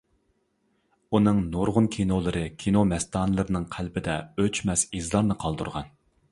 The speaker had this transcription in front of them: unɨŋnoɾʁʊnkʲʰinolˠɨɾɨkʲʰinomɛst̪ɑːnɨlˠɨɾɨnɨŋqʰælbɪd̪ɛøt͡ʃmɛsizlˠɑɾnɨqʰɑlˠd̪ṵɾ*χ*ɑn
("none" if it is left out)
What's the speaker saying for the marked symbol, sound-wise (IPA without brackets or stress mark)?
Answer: ʁ